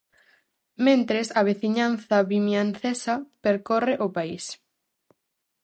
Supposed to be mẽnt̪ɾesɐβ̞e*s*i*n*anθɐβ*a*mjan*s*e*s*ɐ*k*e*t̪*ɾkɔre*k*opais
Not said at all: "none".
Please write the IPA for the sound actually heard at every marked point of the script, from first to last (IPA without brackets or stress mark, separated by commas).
θ, ɲ, i, θ, s, p, none, ʔ